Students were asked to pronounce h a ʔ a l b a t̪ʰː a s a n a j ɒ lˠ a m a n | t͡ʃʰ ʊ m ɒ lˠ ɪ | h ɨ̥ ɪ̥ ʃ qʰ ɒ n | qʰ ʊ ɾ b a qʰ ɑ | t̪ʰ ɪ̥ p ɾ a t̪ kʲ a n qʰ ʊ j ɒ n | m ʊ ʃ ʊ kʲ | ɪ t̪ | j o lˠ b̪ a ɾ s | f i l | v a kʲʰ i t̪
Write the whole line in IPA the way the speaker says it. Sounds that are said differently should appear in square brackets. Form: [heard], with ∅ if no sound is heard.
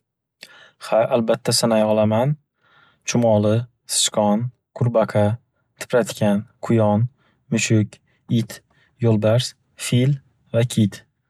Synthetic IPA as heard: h a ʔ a l b a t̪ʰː a s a n a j ɒ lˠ a m a n | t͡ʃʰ ʊ m ɒ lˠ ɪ | [s] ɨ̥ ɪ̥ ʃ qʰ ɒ n | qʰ ʊ ɾ b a qʰ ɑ | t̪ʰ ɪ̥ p ɾ a t̪ kʲ a n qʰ ʊ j ɒ n | m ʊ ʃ ʊ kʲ | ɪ t̪ | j o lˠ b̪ a ɾ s | f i l | v a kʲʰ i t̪